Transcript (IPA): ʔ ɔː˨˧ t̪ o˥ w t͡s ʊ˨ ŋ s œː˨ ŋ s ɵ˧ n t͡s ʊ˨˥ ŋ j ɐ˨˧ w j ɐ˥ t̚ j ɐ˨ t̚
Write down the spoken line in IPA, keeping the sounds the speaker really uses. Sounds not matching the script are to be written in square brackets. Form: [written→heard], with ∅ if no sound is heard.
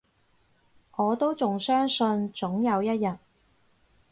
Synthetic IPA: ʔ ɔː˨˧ t̪ o˥ w t͡s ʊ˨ ŋ s [œː˨→œː˥] ŋ s ɵ˧ n t͡s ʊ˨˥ ŋ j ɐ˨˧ w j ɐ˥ t̚ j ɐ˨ t̚